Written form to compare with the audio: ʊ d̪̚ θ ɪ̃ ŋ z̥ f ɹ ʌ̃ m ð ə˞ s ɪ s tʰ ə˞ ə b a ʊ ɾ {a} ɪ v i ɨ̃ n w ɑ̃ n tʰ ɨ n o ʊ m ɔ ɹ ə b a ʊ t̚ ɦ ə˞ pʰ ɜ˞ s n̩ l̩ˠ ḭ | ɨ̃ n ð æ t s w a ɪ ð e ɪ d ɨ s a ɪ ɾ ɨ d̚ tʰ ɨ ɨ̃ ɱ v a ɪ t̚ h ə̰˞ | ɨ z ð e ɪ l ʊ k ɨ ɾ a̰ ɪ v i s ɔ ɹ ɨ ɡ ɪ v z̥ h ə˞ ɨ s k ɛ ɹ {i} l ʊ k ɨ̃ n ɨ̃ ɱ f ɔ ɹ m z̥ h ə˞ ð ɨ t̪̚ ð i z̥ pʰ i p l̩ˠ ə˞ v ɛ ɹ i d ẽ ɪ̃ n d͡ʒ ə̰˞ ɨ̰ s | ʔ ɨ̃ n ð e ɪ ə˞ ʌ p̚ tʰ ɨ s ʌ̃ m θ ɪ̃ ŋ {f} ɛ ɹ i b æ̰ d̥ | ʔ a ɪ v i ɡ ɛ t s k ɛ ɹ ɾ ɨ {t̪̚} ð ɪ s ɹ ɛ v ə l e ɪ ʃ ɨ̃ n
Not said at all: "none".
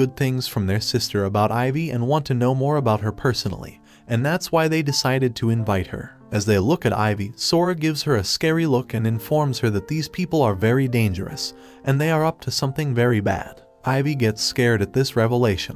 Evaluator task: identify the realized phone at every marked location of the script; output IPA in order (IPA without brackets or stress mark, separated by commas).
a, i, v, t̪̚